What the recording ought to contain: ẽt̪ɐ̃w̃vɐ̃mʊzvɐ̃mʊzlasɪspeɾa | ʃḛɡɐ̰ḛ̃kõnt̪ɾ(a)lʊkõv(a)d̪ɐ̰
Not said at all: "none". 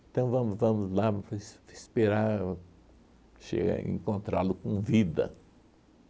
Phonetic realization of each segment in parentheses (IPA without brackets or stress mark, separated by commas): a, i